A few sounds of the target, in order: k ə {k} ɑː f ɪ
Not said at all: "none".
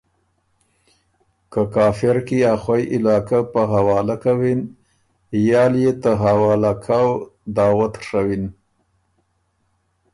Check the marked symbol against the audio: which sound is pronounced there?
k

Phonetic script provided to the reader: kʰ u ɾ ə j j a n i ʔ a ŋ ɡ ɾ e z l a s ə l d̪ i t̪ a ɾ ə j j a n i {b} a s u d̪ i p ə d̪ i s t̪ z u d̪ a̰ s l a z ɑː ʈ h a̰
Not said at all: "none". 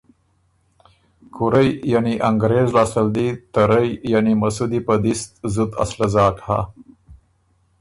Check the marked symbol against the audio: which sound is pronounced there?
m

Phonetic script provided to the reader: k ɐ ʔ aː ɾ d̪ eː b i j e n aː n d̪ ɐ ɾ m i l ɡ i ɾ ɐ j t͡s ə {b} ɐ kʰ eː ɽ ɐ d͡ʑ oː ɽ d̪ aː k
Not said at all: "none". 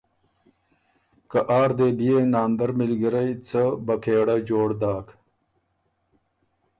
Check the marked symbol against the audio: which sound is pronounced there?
b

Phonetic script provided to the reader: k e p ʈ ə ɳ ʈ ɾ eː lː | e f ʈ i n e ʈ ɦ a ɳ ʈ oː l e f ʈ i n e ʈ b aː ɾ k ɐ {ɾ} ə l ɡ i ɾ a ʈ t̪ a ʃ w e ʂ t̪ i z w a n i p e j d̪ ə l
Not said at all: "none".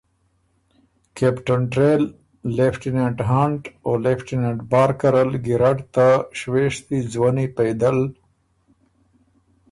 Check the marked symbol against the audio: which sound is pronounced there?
ɾ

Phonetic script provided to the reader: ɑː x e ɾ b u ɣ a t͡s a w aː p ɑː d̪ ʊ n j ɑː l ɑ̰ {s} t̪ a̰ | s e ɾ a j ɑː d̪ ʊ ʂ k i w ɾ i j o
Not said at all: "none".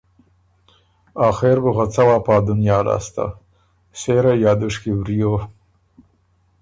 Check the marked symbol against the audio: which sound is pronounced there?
s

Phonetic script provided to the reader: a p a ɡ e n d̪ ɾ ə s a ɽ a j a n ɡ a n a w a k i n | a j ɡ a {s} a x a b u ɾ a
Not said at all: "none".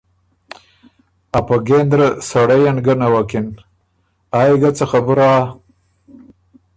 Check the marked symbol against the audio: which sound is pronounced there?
t͡s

